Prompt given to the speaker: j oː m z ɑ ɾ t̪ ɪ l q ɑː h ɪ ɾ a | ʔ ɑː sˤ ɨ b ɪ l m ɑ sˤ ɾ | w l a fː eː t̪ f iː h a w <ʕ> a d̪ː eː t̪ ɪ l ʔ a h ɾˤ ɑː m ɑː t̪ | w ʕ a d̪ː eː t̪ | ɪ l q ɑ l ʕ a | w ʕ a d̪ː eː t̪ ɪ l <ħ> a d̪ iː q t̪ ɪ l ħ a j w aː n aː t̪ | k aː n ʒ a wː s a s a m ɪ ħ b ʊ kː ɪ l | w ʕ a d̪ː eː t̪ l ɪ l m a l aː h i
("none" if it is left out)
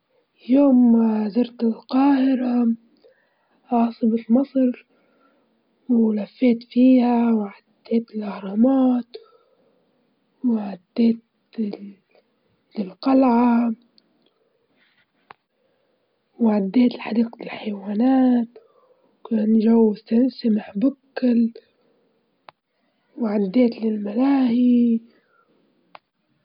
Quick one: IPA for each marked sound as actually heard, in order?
ʕ, ħ

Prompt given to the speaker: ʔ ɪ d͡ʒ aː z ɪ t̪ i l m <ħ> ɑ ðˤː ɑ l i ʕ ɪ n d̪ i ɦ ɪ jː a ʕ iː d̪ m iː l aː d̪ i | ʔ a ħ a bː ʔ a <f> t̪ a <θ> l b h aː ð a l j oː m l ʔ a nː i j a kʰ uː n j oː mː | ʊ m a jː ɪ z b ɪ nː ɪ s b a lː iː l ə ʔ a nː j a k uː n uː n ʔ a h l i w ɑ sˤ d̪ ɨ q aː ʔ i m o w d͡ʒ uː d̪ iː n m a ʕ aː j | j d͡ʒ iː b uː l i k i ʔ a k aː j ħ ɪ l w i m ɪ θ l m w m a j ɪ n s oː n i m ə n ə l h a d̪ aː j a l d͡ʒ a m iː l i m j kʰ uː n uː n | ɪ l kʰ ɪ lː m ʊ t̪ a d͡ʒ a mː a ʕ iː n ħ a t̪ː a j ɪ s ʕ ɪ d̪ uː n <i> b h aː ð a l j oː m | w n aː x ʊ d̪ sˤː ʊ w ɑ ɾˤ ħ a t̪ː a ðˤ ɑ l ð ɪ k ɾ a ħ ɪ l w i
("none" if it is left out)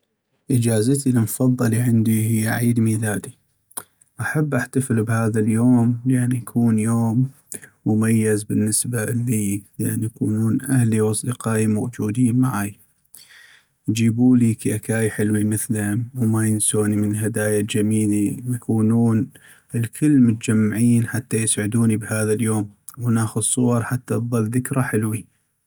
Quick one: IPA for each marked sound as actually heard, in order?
f, ħ, f, i

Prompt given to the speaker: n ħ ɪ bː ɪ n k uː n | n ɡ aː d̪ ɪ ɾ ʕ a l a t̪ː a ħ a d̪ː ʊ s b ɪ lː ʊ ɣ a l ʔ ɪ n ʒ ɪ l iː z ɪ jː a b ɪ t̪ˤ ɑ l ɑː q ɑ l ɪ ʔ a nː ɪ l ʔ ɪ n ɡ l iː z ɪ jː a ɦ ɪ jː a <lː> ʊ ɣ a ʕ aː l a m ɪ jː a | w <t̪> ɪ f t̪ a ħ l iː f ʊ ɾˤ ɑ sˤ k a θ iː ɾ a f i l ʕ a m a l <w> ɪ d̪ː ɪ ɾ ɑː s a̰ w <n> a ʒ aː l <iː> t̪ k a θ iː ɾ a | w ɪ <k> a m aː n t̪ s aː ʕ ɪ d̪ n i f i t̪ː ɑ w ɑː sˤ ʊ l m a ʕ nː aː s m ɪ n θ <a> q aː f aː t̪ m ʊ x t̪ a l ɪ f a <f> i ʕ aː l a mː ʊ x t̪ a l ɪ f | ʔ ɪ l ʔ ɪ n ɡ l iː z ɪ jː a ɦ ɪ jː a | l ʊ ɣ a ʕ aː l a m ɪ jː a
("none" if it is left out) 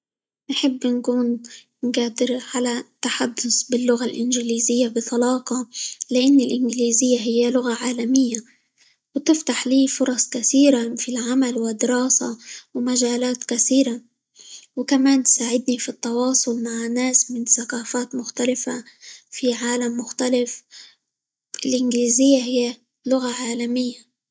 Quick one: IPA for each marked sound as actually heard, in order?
l, t̪, w, m, aː, k, a, f

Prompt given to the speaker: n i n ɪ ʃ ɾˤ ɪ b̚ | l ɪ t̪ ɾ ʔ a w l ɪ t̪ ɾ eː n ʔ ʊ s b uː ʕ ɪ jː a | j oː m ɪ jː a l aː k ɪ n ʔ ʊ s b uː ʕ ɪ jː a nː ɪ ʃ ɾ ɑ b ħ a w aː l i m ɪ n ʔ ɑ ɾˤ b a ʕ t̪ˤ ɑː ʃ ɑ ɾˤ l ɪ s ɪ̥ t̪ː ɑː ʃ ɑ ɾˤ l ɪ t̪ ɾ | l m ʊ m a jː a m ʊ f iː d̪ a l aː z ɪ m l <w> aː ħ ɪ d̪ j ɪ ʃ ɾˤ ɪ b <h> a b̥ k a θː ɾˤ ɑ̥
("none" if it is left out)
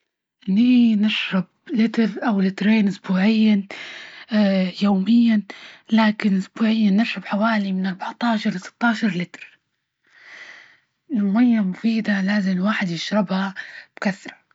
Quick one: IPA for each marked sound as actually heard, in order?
w, h

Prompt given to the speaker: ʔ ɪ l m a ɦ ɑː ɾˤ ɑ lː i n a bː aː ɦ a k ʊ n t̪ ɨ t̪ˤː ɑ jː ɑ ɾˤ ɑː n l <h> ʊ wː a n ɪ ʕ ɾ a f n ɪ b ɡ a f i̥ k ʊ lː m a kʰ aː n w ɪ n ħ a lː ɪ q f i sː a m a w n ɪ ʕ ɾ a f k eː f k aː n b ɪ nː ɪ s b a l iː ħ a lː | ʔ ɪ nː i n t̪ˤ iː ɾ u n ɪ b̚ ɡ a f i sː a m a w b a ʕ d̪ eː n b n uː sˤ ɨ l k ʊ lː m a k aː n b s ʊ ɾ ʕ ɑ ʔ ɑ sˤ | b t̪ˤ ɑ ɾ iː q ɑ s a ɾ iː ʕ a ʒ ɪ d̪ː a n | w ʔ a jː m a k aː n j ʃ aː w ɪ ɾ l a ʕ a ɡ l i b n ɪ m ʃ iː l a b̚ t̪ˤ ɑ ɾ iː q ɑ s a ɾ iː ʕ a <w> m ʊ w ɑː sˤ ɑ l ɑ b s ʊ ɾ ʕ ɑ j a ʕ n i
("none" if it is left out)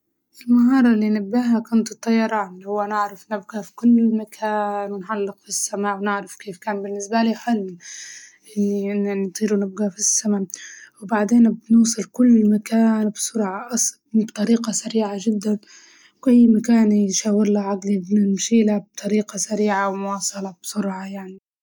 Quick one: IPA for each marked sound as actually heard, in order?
h, w

